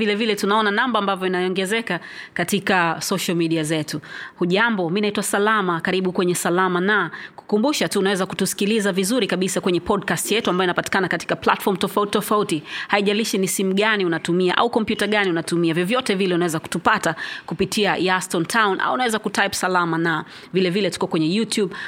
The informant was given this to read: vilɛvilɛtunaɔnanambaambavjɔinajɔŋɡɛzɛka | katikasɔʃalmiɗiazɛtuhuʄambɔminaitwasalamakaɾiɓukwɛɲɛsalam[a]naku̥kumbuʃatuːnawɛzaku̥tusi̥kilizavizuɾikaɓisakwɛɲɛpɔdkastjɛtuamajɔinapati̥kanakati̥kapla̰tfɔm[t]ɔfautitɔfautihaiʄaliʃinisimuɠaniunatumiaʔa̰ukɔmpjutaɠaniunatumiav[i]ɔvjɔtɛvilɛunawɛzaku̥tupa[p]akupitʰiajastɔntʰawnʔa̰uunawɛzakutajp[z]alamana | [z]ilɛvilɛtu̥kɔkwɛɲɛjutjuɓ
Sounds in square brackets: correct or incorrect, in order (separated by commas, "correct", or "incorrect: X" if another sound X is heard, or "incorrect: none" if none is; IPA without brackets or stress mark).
correct, correct, incorrect: j, incorrect: t, incorrect: s, incorrect: v